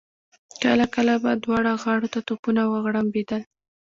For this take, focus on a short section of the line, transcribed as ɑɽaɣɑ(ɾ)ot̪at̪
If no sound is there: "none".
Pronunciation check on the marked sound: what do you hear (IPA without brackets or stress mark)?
ɽ